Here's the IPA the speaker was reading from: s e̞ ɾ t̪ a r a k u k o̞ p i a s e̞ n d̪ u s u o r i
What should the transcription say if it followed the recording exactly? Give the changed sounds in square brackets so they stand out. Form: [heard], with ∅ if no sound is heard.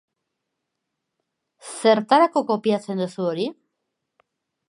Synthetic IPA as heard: s e̞ ɾ t̪ a [ɾ] a k [o] k o̞ p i a [t͡s] e̞ n d̪ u s u o [ɾ] i

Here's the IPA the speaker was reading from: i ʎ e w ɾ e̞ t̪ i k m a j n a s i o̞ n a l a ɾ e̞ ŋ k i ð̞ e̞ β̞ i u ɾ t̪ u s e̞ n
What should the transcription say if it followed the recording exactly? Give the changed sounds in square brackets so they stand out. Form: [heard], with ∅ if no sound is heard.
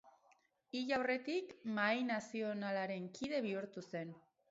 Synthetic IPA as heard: i ʎ [a] w [r] e̞ t̪ i k m a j n a s i o̞ n a l a ɾ e̞ ŋ k i ð̞ e̞ β̞ i u ɾ t̪ u s e̞ n

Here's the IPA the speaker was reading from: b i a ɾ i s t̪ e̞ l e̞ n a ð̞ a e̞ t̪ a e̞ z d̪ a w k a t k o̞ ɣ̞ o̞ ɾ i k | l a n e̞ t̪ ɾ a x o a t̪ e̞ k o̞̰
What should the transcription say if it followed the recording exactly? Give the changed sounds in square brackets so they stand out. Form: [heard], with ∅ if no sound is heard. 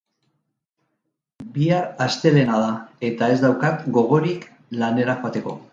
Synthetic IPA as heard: b i a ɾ [a] s t̪ e̞ l e̞ n a ð̞ a e̞ t̪ a e̞ z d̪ a w k a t [ɡ] o̞ ɣ̞ o̞ ɾ i k | l a n e̞ [∅] ɾ a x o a t̪ e̞ k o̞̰

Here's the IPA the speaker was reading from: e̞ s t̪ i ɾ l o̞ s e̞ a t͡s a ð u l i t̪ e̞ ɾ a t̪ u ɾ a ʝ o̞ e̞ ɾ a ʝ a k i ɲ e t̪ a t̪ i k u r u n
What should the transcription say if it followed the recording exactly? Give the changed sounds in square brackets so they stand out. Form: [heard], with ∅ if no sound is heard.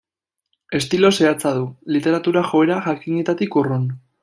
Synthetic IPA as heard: e̞ s t̪ i [∅] l o̞ s e̞ a t͡s a ð u l i t̪ e̞ ɾ a t̪ u ɾ a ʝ o̞ e̞ ɾ a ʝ a k i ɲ e t̪ a t̪ i k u r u n

